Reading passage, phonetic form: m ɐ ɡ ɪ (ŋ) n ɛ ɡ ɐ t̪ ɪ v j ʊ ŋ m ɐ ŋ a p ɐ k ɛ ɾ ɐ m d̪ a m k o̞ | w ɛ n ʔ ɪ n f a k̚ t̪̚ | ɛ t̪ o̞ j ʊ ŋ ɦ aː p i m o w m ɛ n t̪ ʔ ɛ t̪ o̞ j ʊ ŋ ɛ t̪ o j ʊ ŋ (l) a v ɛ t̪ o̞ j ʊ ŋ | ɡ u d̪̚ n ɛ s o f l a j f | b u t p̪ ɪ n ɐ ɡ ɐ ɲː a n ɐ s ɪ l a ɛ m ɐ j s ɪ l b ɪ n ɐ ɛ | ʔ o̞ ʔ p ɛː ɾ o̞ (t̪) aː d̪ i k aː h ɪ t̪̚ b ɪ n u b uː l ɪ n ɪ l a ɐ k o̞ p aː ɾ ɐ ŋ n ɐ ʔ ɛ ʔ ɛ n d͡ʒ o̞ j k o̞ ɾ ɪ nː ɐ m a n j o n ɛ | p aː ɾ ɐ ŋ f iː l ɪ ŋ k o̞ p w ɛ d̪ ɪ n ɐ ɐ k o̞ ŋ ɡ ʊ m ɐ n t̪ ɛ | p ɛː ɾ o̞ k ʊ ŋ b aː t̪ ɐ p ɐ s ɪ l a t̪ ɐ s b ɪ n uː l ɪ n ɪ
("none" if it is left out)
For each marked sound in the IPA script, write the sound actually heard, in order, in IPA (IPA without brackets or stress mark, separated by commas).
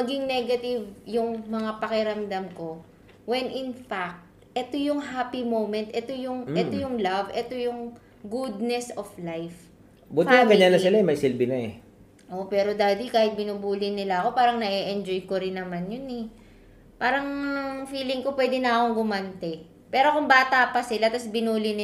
ŋ, l, d̪